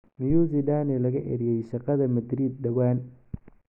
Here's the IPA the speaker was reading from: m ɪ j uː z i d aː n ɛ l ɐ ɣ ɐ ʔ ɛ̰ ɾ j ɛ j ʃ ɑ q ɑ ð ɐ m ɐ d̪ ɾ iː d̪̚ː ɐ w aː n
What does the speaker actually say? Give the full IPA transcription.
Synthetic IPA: m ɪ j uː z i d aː n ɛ l ɐ ɣ ɐ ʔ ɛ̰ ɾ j ɛ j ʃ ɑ q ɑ ð ɐ m ɐ d̪ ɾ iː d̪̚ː ɐ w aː n